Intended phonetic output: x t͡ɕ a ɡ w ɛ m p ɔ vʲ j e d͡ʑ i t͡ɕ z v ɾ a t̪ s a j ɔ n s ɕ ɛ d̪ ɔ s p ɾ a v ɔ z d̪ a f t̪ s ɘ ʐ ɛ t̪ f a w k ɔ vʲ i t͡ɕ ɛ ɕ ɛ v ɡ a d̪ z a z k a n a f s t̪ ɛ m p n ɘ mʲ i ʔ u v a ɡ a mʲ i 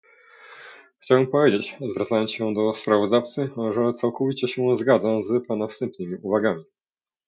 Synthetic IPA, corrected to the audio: x t͡ɕ a w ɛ m p ɔ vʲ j e d͡ʑ e t͡ɕ z v ɾ a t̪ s a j ɔ n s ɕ ɛ d̪ ɔ s p ɾ a v ɔ z d̪ a f t̪ s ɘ ʐ ɛ t̪ s a w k ɔ vʲ i t͡ɕ ɛ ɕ ɛ z ɡ a d̪ z a z p a n a f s t̪ ɛ m p n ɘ mʲ i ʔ u v a ɡ a mʲ i

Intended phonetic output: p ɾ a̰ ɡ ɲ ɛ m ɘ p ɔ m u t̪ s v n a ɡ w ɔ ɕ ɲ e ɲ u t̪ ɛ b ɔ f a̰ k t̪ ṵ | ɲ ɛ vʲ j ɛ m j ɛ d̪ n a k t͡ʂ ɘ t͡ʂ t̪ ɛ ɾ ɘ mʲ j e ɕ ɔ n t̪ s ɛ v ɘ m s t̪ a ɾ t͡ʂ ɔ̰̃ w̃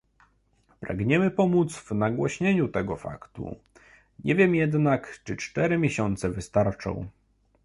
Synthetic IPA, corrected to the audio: p ɾ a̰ ɡ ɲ ɛ m ɘ p ɔ m u t̪ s v n a ɡ w ɔ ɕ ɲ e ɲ u t̪ ɛ ɡ ɔ f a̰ k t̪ ṵ | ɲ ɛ vʲ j ɛ m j ɛ d̪ n a k t͡ʂ ɘ t͡ʂ t̪ ɛ ɾ ɘ mʲ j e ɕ ɔ n t̪ s ɛ v ɘ s t̪ a ɾ t͡ʂ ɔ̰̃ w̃

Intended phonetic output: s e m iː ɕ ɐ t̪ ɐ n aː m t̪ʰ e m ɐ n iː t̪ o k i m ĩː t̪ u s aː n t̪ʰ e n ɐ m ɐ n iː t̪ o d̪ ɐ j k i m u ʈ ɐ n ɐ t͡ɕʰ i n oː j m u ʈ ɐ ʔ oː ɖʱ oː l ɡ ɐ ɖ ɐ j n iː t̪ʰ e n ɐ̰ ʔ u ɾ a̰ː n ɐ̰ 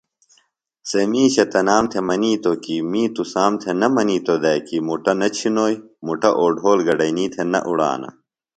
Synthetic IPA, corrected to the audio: s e m iː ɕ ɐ t̪ ɐ n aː m t̪ʰ e m ɐ n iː t̪ o k i m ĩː t̪ u s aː m t̪ʰ e n ɐ m ɐ n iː t̪ o d̪ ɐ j k i m u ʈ ɐ n ɐ t͡ɕʰ i n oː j m u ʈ ɐ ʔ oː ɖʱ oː l ɡ ɐ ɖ ɐ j n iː t̪ʰ e n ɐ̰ ʔ u ɽ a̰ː n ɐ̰

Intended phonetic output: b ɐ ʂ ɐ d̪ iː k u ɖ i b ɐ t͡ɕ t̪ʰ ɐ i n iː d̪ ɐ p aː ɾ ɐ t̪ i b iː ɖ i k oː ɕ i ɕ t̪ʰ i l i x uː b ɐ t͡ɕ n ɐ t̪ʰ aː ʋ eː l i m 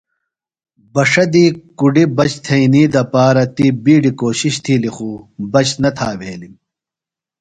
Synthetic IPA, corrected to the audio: b ɐ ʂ ɐ d̪ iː k u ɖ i b ɐ t͡ɕ t̪ʰ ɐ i n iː d̪ ɐ p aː ɾ ɐ t̪ i b iː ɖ i k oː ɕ i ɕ t̪ʰ i l i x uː b ɐ t͡ɕ n ɐ t̪ʰ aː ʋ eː l i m

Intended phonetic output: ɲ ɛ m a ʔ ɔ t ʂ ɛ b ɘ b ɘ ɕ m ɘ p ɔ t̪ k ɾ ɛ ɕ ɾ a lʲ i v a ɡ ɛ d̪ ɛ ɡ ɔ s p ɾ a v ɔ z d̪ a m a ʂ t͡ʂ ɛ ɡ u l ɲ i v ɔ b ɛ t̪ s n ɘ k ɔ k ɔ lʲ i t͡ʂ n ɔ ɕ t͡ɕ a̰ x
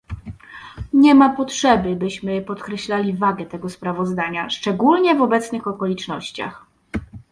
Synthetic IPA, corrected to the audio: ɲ ɛ m a p ɔ t ʂ ɛ b ɘ b ɘ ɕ m ɘ p ɔ t̪ k ɾ ɛ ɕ l a lʲ i v a ɡ ɛ t̪ ɛ ɡ ɔ s p ɾ a v ɔ z d̪ a ɲ a ʂ t͡ʂ ɛ ɡ u l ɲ ɛ v ɔ b ɛ t̪ s n ɘ x ɔ k ɔ lʲ i t͡ʂ n ɔ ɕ t͡ɕ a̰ x

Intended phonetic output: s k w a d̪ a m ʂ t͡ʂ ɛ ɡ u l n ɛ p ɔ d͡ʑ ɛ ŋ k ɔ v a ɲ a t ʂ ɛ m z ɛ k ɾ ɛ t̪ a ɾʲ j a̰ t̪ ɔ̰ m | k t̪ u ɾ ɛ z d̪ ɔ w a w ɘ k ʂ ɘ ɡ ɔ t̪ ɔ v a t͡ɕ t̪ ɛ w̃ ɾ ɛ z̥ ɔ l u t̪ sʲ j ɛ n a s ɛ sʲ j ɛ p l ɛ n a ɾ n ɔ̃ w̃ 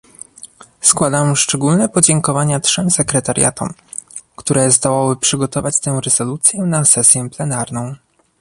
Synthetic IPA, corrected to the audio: s k w a d̪ a m ʂ t͡ʂ ɛ ɡ u l n ɛ p ɔ d͡ʑ ɛ ŋ k ɔ v a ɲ a t ʂ ɛ m s ɛ k ɾ ɛ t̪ a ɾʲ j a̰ t̪ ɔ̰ m | k t̪ u ɾ ɛ z d̪ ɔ w a w ɘ p ʂ ɘ ɡ ɔ t̪ ɔ v a t͡ɕ t̪ ɛ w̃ ɾ ɛ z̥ ɔ l u t̪ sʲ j ɛ n a s ɛ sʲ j ɛ p l ɛ n a ɾ n ɔ̃ w̃

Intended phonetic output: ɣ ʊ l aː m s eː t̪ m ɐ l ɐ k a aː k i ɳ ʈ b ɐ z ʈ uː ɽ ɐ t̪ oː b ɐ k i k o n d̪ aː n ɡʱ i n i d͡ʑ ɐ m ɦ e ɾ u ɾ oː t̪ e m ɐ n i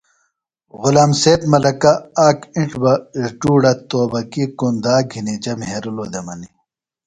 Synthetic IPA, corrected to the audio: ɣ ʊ l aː m s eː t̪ m ɐ l ɐ k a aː k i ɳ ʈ b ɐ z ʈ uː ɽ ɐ t̪ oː b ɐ k i k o n d̪ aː ɡʱ i n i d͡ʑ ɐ m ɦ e ɾ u l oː d̪ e m ɐ n i

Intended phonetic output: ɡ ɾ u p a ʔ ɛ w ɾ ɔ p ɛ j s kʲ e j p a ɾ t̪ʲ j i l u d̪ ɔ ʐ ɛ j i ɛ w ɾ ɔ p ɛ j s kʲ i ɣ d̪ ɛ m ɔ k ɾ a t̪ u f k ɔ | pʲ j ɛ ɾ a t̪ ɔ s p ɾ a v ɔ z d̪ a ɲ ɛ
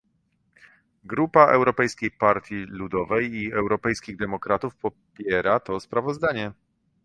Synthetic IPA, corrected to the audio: ɡ ɾ u p a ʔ ɛ w ɾ ɔ p ɛ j s kʲ e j p a ɾ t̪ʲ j i l u d̪ ɔ v ɛ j i ɛ w ɾ ɔ p ɛ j s kʲ i ɣ d̪ ɛ m ɔ k ɾ a t̪ u f p ɔ | pʲ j ɛ ɾ a t̪ ɔ s p ɾ a v ɔ z d̪ a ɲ ɛ

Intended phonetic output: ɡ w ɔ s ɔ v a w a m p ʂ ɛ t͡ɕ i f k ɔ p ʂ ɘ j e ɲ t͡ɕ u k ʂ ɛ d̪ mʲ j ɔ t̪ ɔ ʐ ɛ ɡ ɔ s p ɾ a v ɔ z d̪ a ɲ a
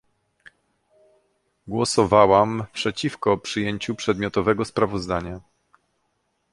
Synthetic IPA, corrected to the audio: ɡ w ɔ s ɔ v a w a m p ʂ ɛ t͡ɕ i f k ɔ p ʂ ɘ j e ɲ t͡ɕ u p ʂ ɛ d̪ mʲ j ɔ t̪ ɔ v ɛ ɡ ɔ s p ɾ a v ɔ z d̪ a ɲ a

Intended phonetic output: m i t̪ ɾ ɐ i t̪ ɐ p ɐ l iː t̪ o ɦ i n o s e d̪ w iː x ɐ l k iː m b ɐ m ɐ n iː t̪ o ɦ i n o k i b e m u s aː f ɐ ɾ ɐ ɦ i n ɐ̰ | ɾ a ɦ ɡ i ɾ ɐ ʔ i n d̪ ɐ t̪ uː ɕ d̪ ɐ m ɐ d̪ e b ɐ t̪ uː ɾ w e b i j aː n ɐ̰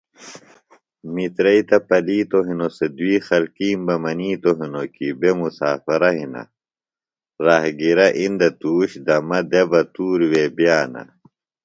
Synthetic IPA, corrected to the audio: m i t̪ ɾ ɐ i t̪ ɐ p ɐ l iː t̪ o ɦ i n o s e d̪ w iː x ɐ l k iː m b ɐ m ɐ n iː t̪ o ɦ i n o k i b e m u s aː f ɐ ɾ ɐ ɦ i n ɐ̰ | ɾ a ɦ ɡ i ɾ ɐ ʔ i n d̪ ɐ t̪ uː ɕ d̪ ɐ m ɐ d̪ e b ɐ t̪ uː ɾ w e b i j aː n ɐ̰

